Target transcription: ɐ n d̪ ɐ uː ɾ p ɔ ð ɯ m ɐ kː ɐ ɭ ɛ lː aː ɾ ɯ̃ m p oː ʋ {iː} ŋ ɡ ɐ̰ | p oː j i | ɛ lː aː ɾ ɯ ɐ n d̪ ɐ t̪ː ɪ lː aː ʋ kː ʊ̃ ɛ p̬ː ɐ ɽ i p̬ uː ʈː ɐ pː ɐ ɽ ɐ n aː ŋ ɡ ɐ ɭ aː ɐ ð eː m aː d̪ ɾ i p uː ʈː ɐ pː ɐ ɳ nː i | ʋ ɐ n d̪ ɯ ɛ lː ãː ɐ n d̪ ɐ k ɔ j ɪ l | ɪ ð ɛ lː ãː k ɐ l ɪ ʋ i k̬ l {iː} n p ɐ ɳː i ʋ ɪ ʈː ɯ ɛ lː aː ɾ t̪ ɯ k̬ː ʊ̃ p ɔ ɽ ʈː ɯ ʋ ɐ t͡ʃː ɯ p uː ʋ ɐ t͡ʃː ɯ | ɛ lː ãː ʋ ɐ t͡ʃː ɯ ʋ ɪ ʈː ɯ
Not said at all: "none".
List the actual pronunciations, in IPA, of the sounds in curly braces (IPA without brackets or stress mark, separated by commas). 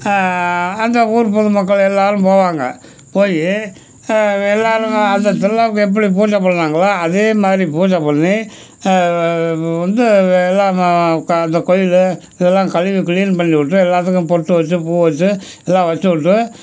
aː, iː